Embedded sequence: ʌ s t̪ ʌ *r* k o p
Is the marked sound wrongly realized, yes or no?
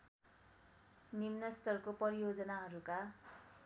no